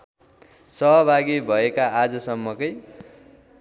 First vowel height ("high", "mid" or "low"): mid